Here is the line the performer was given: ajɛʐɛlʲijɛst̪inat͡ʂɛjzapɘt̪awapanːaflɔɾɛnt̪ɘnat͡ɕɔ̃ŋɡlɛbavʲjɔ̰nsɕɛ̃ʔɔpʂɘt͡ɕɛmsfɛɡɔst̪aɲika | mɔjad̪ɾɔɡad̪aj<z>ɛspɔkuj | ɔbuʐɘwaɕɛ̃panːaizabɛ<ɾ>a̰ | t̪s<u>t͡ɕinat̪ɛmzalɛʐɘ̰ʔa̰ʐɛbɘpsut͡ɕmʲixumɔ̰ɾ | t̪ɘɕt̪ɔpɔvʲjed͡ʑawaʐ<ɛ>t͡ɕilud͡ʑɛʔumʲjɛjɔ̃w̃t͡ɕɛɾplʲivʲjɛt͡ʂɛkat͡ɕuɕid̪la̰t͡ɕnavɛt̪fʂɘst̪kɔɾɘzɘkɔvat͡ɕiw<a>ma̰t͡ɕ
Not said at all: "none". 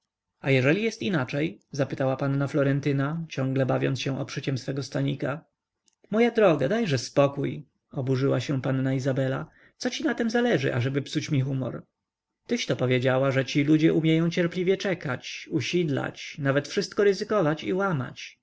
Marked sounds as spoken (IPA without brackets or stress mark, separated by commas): ʐ, l, ɔ, ɛ, a